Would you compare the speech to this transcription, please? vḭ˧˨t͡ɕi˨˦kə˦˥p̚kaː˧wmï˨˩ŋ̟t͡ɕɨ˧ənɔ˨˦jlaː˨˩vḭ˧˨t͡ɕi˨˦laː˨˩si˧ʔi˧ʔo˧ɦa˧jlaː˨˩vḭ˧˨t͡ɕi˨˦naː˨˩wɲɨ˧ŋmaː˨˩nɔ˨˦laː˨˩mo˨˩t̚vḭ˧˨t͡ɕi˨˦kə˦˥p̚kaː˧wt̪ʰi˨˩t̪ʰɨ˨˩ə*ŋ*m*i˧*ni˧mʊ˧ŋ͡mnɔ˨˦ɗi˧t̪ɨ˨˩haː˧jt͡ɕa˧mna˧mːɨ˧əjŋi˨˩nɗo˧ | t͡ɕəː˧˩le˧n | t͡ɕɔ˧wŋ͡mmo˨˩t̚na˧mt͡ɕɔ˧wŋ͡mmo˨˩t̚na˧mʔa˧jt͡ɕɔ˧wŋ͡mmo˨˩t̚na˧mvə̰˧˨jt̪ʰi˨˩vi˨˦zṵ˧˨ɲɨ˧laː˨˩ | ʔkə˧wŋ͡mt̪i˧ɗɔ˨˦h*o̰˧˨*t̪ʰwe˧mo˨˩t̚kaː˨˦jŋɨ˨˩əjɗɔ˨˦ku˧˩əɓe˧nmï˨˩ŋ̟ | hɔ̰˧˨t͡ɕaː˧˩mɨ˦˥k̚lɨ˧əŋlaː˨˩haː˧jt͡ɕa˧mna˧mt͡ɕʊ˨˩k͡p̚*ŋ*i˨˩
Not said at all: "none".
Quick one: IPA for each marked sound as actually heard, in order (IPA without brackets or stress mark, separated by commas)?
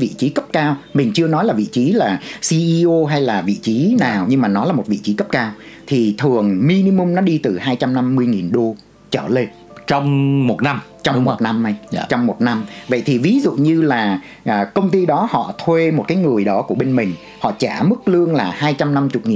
ŋ, i˧, ɔ̰˧˨, ŋ